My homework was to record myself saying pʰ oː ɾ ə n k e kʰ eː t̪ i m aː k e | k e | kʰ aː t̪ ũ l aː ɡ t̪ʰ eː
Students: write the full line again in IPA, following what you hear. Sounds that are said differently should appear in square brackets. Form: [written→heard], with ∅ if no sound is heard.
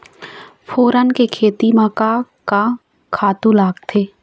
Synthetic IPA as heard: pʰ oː ɾ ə n k e kʰ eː t̪ i m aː k [e→a] | k [e→a] | kʰ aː t̪ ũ l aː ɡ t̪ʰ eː